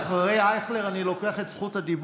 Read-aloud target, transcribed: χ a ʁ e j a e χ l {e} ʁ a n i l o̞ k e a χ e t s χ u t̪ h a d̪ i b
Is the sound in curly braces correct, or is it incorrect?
correct